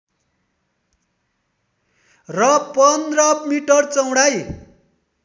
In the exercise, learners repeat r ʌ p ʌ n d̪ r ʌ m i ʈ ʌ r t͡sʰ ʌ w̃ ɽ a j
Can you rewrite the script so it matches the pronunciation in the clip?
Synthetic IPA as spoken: r ʌ p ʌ n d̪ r ʌ m i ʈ ʌ r t͡s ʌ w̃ ɽ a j